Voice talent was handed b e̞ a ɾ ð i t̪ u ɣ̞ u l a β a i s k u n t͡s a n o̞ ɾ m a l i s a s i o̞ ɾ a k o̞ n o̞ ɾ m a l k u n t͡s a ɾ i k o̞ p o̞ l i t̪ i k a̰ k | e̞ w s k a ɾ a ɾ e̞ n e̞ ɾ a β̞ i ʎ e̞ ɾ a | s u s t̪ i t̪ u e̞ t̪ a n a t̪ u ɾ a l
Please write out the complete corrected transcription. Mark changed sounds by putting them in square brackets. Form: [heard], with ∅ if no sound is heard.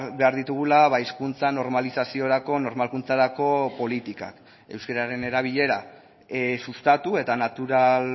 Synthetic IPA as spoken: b e̞ a ɾ ð i t̪ u ɣ̞ u l a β a i s k u n t͡s a n o̞ ɾ m a l i s a s i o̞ ɾ a k o̞ n o̞ ɾ m a l k u n t͡s a ɾ [a] k o̞ p o̞ l i t̪ i k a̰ k | e̞ w s k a ɾ a ɾ e̞ n e̞ ɾ a β̞ i ʎ e̞ ɾ a | s u s t̪ [a] t̪ u e̞ t̪ a n a t̪ u ɾ a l